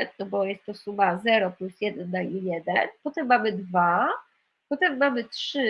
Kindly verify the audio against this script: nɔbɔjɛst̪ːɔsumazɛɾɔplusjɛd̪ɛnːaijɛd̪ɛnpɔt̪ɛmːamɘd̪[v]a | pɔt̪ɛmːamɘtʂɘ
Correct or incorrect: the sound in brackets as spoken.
correct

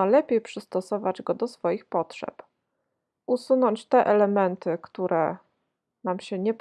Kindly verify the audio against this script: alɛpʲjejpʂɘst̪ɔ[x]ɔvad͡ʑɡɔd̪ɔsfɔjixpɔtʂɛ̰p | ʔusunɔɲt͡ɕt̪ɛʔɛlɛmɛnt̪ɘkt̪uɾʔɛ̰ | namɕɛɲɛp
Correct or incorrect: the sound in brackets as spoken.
incorrect: s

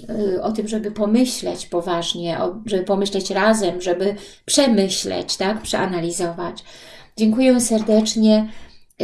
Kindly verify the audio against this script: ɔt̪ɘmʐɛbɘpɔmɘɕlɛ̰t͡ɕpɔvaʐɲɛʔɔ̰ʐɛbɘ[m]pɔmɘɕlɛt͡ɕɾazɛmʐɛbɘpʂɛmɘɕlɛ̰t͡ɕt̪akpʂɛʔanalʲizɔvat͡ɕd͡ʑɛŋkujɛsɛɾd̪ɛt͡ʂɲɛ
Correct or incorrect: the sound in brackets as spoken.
incorrect: none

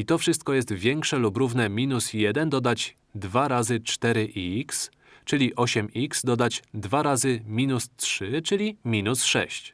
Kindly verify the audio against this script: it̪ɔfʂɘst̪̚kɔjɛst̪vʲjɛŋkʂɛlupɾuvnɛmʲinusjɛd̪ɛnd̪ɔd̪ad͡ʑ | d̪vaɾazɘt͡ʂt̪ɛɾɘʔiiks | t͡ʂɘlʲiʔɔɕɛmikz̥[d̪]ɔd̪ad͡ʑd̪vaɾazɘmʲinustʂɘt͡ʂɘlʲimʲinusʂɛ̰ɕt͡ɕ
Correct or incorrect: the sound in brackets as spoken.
correct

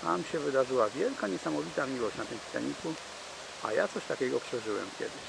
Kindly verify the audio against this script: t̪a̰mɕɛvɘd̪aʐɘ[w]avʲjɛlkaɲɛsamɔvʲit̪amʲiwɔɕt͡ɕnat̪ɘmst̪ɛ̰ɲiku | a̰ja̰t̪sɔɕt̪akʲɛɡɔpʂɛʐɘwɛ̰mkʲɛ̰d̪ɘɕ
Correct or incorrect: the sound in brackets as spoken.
correct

